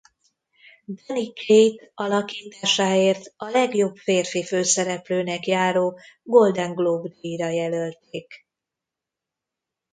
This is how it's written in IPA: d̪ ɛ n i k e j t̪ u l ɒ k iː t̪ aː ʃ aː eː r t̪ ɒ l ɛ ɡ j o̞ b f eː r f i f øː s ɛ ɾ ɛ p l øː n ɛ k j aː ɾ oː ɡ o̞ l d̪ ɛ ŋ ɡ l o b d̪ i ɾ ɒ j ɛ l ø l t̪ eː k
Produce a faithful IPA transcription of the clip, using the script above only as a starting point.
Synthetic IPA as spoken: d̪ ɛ n i k e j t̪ ɒ l ɒ k iː t̪ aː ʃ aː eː r t̪ ɒ l ɛ ɡ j o̞ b f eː r f i f øː s ɛ ɾ ɛ p l øː n ɛ k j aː ɾ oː ɡ o̞ l d̪ ɛ ŋ ɡ l o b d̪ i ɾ ɒ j ɛ l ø l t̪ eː k